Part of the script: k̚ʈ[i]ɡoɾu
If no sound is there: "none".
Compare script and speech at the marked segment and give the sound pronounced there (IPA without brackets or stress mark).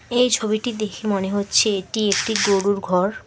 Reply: i